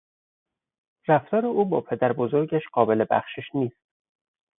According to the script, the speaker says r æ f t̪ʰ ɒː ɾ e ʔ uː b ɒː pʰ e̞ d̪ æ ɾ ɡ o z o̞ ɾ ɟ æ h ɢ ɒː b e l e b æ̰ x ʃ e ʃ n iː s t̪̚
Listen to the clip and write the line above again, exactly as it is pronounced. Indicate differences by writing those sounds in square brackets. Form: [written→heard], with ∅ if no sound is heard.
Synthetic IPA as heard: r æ f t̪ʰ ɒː ɾ e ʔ uː b ɒː pʰ e̞ d̪ æ ɾ [ɡ→b] o z o̞ ɾ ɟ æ [h→ʃ] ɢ ɒː b e l e b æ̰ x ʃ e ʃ n iː s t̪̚